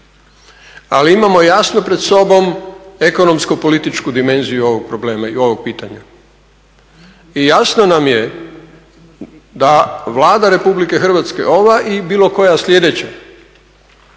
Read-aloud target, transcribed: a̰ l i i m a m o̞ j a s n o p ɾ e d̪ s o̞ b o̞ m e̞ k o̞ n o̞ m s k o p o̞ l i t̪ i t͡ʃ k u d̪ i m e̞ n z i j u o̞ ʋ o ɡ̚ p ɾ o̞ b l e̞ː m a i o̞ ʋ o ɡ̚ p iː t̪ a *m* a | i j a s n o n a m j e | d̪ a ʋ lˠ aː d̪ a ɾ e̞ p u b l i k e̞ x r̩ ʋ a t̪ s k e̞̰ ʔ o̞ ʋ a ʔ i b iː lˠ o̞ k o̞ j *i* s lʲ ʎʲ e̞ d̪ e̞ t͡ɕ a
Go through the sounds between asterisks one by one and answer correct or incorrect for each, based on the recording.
incorrect, incorrect

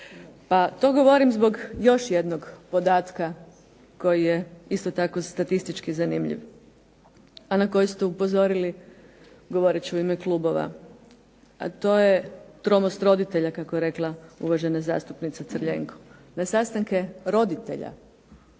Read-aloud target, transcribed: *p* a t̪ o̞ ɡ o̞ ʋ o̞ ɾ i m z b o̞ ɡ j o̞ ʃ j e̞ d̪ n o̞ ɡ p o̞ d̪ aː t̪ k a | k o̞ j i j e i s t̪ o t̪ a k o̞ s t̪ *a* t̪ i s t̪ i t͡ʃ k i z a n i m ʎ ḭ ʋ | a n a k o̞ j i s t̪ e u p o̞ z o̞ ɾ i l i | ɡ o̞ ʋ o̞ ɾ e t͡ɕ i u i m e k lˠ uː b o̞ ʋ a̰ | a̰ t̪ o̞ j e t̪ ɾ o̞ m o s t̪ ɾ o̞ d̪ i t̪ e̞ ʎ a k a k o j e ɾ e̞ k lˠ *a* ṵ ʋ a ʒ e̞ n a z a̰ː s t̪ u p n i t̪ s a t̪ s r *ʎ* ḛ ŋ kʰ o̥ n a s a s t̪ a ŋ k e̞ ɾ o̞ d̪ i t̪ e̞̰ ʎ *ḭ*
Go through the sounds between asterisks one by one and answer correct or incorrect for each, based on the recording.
correct, correct, correct, correct, incorrect

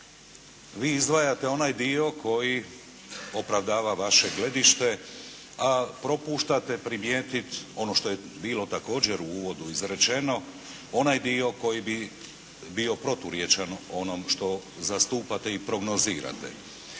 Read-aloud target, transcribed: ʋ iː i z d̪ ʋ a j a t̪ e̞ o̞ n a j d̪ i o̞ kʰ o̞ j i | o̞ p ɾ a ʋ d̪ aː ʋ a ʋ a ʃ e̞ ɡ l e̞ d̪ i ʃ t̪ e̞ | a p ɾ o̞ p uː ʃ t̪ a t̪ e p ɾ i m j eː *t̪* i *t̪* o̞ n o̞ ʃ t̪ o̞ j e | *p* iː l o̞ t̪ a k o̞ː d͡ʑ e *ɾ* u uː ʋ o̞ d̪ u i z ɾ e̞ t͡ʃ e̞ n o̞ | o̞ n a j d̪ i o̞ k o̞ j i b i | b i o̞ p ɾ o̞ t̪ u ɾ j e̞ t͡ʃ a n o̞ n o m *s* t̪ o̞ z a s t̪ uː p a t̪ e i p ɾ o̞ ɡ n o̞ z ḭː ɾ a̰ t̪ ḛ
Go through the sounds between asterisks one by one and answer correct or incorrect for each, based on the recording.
correct, correct, incorrect, correct, incorrect

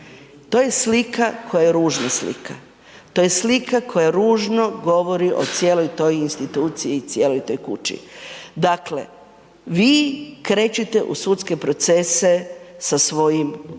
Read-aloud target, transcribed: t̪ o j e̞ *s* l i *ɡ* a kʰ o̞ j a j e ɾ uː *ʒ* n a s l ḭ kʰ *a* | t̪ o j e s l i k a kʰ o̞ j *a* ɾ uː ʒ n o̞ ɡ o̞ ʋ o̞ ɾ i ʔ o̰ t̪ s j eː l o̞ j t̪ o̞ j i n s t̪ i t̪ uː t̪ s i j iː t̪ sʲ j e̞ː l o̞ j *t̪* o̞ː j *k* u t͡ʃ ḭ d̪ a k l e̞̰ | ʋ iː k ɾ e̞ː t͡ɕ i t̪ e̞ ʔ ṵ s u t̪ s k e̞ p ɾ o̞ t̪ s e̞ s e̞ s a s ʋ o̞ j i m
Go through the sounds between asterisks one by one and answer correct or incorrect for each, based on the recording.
correct, incorrect, correct, correct, correct, correct, correct

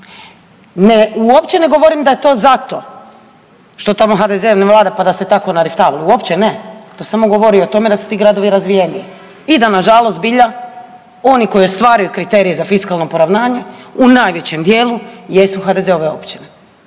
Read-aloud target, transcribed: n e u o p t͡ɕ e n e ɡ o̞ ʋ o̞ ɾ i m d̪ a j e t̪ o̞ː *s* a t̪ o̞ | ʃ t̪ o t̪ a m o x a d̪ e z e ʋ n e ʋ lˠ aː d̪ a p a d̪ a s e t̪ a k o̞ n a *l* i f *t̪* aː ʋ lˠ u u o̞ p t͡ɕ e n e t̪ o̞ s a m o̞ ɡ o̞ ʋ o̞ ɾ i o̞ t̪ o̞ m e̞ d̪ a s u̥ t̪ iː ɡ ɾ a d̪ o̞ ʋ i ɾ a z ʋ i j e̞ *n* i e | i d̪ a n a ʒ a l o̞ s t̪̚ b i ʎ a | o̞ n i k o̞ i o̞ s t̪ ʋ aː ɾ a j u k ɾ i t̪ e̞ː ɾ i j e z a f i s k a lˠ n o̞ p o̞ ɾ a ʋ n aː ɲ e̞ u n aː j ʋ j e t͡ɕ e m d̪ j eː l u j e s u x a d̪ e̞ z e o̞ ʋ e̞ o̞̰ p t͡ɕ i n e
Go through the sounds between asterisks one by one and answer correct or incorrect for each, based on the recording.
incorrect, incorrect, correct, correct

